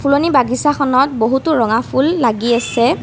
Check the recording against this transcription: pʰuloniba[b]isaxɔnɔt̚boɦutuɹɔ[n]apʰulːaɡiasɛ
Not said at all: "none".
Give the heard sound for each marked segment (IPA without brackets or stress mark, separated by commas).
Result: ɡ, ŋ